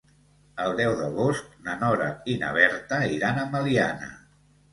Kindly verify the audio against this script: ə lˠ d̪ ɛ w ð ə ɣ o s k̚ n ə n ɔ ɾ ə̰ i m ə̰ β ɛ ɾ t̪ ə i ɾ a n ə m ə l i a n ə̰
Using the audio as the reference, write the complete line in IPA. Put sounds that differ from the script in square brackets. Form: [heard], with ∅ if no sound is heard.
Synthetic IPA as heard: ə lˠ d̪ ɛ w ð ə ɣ o s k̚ n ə n ɔ ɾ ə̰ i [n] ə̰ β ɛ ɾ t̪ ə i ɾ a n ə m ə l i a n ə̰